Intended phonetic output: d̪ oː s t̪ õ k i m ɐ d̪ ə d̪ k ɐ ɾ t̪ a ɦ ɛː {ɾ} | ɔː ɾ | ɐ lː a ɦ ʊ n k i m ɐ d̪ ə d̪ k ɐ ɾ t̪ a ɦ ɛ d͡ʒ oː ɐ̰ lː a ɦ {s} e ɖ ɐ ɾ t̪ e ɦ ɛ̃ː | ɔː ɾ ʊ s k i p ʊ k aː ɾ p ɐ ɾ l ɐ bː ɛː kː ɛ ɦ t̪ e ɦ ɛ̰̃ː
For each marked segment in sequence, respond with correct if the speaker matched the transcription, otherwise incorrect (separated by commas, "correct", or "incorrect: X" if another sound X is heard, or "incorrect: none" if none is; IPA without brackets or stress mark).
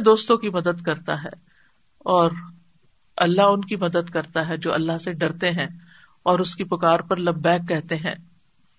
incorrect: none, correct